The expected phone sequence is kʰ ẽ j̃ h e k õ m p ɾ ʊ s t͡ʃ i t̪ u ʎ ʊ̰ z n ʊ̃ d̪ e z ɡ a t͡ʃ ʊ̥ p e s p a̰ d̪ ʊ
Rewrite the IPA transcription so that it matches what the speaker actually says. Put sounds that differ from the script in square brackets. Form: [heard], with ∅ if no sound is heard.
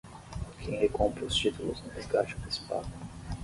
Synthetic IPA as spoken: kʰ ẽ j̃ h e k õ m p ɾ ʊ s t͡ʃ i t̪ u [l] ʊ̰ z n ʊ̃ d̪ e z ɡ a t͡ʃ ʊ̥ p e s p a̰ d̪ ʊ